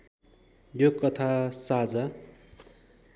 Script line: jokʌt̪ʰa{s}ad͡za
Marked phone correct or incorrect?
correct